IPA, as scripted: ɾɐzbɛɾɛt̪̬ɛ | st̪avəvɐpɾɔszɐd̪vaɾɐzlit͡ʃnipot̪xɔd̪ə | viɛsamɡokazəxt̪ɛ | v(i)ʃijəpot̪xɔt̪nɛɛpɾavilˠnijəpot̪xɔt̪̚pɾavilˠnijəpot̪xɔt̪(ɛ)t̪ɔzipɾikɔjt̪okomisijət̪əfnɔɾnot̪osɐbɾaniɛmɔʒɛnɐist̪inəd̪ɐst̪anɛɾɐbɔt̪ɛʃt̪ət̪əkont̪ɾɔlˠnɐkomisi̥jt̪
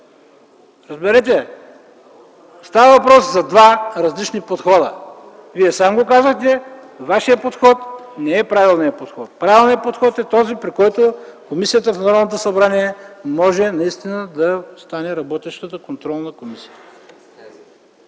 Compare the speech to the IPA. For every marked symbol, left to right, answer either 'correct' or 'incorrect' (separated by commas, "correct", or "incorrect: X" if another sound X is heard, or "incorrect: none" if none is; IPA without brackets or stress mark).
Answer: incorrect: a, correct